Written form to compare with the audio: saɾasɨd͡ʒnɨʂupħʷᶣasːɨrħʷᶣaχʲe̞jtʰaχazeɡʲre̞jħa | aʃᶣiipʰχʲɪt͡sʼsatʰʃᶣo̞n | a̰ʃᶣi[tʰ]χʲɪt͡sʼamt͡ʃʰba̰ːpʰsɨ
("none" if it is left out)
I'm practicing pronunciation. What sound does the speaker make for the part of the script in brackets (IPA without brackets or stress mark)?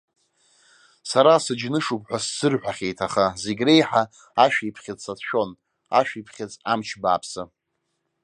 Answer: pʰ